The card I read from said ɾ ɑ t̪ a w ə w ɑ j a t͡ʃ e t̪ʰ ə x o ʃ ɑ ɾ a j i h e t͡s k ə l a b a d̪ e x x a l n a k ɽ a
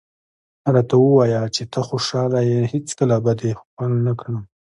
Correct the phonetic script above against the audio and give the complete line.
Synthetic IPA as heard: ɾ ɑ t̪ a w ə w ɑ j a t͡ʃ e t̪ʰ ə x o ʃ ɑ l a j e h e t͡s k ə l a b a d̪ e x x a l n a k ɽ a